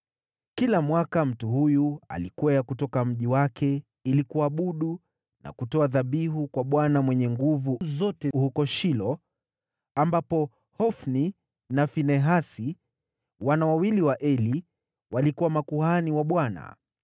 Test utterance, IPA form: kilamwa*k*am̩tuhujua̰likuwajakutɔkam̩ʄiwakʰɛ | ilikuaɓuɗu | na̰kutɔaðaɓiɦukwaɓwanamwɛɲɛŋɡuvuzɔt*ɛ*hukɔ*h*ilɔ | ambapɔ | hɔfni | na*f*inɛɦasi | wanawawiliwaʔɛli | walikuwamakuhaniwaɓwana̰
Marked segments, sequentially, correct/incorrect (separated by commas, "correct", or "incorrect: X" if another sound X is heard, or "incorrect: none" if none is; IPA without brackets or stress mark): correct, correct, incorrect: ʃ, correct